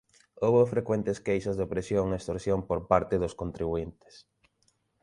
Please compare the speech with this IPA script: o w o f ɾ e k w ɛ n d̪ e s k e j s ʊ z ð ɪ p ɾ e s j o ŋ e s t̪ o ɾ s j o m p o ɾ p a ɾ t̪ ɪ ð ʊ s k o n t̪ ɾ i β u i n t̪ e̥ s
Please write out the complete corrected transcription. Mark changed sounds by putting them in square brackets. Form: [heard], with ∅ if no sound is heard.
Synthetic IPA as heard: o [β] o f ɾ e k w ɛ n [t̪] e s k e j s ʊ z ð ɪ p ɾ e s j o ŋ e s t̪ o ɾ s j o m p o ɾ p a ɾ t̪ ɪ ð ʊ s k o n t̪ ɾ i β u i n t̪ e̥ s